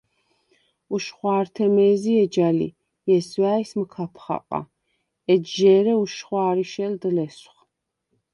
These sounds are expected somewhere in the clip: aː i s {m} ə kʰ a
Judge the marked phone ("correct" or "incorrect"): correct